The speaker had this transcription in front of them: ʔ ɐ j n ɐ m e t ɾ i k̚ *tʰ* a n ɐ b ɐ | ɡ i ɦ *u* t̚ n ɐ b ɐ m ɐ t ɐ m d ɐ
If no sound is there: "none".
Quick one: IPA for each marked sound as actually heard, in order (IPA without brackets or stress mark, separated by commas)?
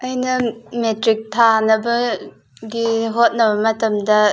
tʰ, o